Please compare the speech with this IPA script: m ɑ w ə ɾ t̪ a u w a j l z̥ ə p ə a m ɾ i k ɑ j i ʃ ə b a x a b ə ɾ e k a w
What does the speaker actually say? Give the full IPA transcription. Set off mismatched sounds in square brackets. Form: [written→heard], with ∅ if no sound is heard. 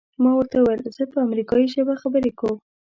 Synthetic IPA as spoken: m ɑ w ə ɾ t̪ a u w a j l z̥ ə p ə a m ɾ i k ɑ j i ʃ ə b a x a b ə ɾ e k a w